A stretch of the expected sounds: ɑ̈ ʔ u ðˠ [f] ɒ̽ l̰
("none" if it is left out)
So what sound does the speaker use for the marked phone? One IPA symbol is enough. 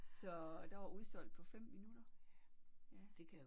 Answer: s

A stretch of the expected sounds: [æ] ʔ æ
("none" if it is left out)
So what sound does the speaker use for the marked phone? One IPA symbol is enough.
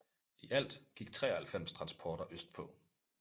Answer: i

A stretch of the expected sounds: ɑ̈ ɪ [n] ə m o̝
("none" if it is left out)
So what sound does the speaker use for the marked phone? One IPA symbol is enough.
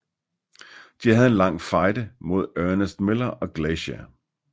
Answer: d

